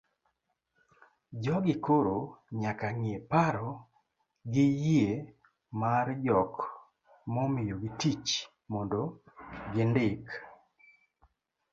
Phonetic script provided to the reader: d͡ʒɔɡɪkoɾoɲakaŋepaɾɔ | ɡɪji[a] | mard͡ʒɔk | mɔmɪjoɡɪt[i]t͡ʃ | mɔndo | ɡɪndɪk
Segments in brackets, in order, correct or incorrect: incorrect, correct

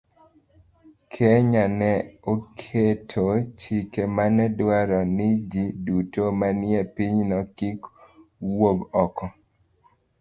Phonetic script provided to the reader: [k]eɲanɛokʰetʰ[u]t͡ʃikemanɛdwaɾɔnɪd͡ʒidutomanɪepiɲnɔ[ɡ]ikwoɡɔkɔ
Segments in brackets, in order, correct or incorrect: incorrect, incorrect, incorrect

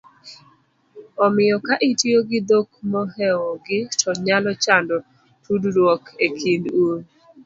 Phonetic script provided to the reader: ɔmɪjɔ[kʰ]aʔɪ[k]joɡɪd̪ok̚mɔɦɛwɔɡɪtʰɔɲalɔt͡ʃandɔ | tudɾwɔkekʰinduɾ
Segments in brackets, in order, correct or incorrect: incorrect, incorrect

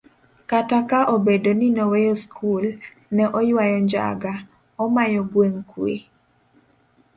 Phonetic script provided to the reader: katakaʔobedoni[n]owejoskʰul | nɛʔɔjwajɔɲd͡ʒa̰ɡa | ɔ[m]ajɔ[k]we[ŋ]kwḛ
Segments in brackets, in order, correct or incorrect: correct, correct, incorrect, correct

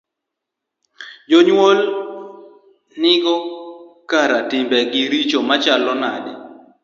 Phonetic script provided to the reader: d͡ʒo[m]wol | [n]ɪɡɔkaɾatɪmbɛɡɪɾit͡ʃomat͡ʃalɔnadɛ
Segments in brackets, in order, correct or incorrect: incorrect, correct

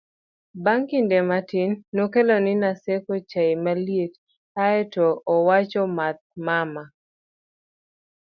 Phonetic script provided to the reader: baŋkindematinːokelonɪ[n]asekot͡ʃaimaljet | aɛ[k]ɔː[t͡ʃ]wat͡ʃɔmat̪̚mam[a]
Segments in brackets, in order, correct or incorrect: correct, incorrect, incorrect, correct

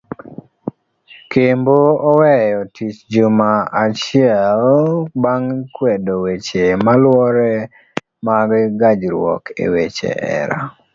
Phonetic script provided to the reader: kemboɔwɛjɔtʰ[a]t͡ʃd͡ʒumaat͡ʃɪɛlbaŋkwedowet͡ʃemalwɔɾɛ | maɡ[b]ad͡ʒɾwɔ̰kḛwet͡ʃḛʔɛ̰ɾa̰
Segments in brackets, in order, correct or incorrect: incorrect, incorrect

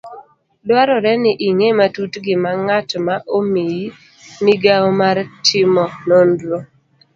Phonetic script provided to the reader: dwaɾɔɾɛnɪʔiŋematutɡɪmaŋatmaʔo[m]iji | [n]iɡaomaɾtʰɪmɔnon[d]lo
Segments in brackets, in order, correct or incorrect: correct, correct, correct

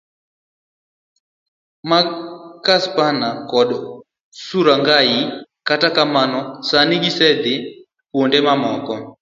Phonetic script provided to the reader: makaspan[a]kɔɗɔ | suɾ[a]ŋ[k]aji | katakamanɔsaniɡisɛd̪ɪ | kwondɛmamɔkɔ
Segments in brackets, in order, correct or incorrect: correct, correct, incorrect

